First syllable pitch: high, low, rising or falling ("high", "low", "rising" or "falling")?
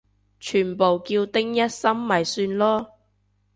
low